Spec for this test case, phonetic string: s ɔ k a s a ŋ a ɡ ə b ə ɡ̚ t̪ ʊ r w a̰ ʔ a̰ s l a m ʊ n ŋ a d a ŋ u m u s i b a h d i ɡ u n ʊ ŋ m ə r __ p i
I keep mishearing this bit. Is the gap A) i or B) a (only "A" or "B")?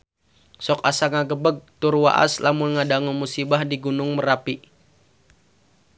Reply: B